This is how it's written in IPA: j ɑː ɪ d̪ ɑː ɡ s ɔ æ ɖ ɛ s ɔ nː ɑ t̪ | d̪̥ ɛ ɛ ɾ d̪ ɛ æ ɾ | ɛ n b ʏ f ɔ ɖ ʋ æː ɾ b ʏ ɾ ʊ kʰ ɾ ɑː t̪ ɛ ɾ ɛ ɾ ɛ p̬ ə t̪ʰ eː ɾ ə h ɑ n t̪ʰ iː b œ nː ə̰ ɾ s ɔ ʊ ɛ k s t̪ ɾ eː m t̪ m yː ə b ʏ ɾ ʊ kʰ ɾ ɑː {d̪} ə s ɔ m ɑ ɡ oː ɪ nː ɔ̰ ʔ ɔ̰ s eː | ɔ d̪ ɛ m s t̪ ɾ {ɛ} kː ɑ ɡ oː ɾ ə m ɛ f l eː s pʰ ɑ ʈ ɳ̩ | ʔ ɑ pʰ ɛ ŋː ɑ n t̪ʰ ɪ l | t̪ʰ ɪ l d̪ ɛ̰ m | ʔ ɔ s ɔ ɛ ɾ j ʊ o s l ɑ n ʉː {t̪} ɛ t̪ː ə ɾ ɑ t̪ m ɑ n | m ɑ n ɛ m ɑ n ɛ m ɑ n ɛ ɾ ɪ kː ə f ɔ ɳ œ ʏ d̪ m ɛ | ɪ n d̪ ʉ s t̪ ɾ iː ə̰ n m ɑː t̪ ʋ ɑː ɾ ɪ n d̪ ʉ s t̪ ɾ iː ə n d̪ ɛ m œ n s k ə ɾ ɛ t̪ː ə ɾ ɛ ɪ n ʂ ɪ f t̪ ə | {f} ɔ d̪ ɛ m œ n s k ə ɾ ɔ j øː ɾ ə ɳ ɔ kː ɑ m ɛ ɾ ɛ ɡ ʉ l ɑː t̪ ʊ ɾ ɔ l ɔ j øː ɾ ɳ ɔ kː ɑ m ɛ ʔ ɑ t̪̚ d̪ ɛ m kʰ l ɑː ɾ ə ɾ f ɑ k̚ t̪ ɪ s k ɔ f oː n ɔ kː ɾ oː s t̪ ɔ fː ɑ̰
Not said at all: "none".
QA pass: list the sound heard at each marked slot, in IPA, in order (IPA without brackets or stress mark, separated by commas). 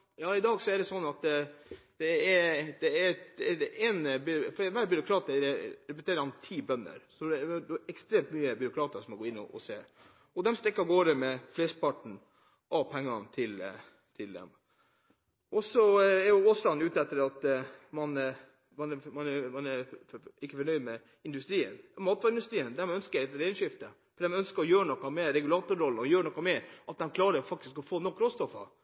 t̪, ɛ, t̪, f